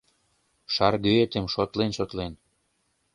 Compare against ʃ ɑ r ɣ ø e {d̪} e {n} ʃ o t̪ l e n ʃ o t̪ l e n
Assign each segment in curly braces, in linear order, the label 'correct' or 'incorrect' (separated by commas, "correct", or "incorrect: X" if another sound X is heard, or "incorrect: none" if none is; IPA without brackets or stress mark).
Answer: incorrect: t̪, incorrect: m